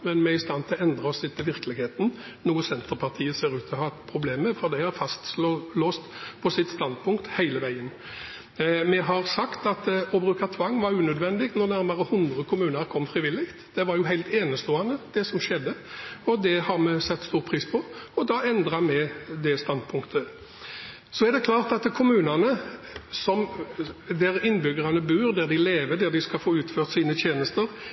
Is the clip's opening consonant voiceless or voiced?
voiced